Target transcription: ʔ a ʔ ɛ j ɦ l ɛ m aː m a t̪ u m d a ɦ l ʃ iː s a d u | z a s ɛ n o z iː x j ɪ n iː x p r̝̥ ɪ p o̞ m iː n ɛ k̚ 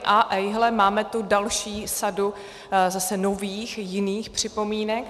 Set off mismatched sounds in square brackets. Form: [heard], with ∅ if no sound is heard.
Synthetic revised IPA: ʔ a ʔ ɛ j ɦ l ɛ m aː m [ɛ] t̪ u [∅] d a [∅] l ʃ iː s a d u | z a s ɛ n o [v] iː x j ɪ n iː x p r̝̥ ɪ p o̞ m iː n ɛ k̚